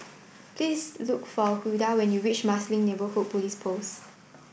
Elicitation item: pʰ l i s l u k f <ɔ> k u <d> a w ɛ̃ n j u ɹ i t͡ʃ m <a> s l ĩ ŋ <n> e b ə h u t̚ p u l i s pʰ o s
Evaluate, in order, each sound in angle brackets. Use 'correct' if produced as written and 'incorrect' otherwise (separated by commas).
correct, correct, correct, correct